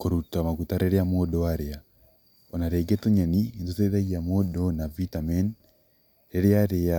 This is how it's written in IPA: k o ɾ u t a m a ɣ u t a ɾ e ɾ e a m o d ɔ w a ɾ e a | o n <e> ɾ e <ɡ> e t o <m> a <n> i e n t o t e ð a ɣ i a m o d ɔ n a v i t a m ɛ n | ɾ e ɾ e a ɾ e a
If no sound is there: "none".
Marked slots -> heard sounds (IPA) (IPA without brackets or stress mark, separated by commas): a, ɡ, ɲ, n